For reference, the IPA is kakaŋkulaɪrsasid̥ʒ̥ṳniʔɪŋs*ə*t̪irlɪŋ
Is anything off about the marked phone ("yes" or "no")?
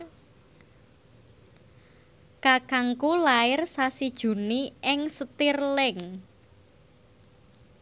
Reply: no